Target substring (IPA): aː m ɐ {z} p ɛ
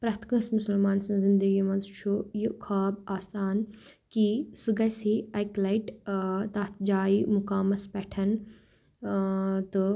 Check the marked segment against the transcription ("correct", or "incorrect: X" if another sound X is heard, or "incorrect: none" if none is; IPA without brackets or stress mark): incorrect: s